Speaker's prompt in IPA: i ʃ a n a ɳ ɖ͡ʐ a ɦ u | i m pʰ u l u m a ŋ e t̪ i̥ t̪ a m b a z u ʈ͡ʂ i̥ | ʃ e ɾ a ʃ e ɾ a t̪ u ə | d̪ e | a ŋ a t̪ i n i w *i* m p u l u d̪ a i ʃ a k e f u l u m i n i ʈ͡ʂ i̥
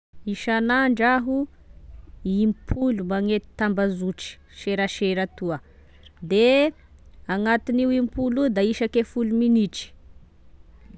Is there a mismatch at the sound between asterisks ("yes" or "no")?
no